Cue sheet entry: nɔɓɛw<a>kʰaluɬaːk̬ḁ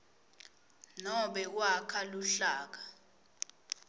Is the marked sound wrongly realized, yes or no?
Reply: no